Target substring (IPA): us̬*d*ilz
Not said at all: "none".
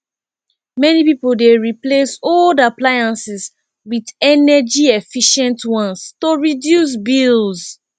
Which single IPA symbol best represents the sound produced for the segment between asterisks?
b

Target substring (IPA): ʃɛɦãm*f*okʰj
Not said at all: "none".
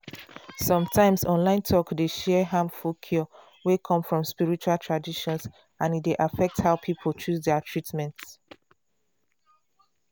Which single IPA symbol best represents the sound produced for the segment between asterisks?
f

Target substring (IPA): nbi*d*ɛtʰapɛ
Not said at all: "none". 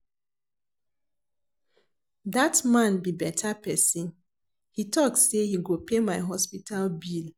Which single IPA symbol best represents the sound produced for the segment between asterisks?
b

